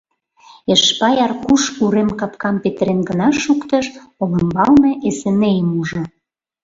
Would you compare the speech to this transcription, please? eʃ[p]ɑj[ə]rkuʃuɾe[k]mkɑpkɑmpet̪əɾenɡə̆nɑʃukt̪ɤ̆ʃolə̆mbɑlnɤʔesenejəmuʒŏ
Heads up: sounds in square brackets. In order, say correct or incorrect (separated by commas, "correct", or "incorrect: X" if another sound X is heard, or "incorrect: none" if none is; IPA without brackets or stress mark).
correct, incorrect: ɑ, incorrect: none